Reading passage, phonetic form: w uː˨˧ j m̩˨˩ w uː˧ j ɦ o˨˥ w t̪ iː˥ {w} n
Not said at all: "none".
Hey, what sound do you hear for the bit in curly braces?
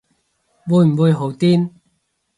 none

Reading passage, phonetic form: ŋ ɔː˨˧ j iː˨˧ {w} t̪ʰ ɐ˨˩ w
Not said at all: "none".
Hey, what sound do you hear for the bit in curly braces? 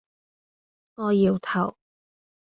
w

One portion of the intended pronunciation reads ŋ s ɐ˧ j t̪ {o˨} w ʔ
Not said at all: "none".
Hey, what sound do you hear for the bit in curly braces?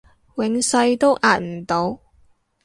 o˥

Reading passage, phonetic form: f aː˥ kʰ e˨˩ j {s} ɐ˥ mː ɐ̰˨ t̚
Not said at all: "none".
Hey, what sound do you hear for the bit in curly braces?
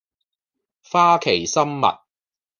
s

